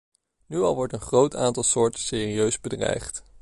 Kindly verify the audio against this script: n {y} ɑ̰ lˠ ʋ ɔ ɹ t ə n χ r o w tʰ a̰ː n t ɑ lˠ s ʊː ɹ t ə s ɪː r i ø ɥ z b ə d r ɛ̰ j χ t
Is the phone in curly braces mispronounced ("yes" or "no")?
no